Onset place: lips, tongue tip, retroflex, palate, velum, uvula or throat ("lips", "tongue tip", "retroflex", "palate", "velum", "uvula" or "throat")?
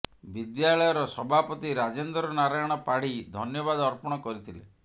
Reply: lips